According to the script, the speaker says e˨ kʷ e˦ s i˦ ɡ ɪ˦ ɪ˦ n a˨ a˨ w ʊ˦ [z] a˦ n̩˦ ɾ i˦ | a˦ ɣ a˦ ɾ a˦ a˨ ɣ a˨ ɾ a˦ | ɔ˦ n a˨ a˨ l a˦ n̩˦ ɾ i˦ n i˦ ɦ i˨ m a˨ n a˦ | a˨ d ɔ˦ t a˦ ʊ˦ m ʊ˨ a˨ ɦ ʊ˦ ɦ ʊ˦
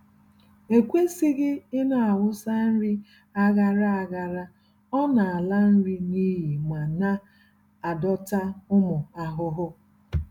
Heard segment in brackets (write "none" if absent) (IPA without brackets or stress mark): s